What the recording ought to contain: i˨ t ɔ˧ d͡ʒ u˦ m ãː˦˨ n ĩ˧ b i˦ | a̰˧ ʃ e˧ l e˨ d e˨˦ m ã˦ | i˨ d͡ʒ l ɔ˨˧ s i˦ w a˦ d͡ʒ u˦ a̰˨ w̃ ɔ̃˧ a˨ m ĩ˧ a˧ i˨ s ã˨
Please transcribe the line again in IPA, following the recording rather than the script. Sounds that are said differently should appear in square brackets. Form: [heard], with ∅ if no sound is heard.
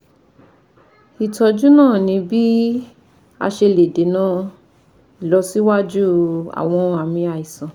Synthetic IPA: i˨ t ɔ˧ d͡ʒ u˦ [n] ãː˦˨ n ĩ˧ b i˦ | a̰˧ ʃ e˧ l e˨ d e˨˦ [n] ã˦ | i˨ [∅] l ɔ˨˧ s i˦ w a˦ d͡ʒ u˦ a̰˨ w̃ ɔ̃˧ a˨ m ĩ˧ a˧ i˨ s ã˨